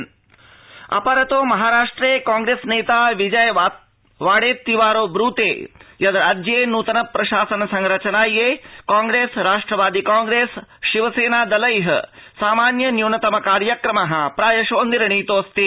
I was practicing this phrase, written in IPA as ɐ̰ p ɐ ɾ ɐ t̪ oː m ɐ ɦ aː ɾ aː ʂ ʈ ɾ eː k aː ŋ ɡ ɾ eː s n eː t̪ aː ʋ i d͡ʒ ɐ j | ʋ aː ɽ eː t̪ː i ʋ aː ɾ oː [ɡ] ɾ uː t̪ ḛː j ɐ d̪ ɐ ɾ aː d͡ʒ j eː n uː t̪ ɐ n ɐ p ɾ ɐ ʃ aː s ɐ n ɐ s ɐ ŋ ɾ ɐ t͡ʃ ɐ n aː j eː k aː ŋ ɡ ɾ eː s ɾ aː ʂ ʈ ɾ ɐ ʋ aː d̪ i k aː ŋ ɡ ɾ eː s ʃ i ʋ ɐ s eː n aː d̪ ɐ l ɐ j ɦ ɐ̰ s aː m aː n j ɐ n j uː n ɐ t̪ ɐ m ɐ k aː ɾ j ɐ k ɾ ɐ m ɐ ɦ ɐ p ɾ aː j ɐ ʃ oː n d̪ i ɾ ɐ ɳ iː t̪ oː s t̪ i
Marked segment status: incorrect: b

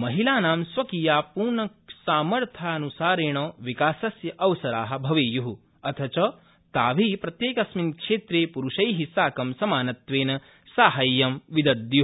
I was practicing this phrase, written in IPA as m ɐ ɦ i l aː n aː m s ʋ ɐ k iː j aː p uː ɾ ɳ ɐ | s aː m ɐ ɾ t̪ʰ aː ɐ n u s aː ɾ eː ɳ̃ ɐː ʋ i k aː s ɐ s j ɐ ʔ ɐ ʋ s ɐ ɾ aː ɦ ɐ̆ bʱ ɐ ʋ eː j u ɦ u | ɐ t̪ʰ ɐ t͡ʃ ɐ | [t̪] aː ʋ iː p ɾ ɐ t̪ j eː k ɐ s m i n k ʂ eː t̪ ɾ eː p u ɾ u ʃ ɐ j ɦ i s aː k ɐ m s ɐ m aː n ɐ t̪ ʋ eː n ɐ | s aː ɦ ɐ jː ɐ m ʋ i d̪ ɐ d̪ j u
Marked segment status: correct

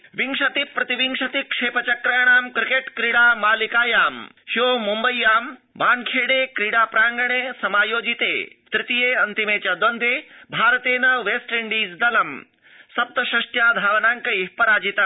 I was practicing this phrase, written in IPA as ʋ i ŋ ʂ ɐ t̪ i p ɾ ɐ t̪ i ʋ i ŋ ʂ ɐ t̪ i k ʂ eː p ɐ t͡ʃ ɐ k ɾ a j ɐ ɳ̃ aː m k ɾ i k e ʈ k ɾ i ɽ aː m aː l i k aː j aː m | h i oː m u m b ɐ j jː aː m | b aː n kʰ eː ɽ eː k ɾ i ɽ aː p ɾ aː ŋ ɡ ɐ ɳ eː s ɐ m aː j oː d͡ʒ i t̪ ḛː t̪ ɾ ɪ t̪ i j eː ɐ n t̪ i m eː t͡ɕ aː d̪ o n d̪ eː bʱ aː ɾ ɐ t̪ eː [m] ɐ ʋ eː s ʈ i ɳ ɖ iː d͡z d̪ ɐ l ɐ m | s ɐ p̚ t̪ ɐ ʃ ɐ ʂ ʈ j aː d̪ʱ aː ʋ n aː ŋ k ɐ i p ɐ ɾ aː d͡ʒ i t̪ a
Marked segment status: incorrect: n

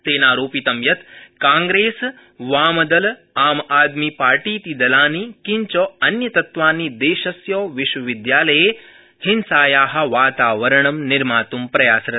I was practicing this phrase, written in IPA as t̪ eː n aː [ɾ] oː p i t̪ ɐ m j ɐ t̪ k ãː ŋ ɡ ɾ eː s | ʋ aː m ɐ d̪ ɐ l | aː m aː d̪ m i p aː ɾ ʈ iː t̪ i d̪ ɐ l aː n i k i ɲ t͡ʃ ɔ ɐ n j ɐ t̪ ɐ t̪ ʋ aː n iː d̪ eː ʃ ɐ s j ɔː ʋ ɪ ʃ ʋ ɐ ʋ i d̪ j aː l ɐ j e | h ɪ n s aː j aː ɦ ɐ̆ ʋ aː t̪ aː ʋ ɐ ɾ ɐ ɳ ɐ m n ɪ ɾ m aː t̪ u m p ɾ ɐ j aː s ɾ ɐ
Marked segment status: correct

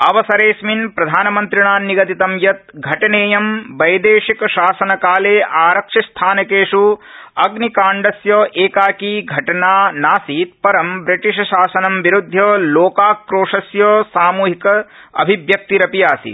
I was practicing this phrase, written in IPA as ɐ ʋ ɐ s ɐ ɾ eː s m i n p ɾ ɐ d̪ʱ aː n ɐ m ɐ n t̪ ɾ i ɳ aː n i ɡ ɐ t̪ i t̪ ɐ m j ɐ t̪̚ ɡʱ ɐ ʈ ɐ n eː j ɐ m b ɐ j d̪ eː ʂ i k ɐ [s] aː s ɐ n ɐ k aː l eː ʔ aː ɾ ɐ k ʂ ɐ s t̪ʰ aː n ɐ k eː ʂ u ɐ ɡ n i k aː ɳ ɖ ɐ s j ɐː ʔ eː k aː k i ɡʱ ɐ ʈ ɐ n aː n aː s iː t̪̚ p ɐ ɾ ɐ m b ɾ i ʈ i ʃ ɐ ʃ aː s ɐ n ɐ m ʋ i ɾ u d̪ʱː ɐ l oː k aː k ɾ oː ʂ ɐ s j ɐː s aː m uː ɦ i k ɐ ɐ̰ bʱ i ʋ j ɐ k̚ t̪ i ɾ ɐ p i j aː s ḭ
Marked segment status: incorrect: ʃ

